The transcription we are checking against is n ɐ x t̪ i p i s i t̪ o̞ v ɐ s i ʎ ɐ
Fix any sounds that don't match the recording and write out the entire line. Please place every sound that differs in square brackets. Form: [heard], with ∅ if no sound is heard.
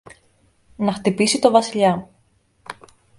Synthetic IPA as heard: n ɐ x t̪ i p i s i t̪ o̞ v ɐ s i ʎ ɐ